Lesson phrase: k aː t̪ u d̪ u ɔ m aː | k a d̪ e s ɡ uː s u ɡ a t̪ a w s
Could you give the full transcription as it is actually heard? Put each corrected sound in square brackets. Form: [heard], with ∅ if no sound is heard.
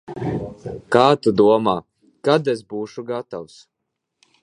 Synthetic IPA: k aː t̪ u d̪ u ɔ m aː | k a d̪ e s [b] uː [ʃ] u ɡ a t̪ a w s